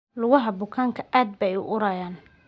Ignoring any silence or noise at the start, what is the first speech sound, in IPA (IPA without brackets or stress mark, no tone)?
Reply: l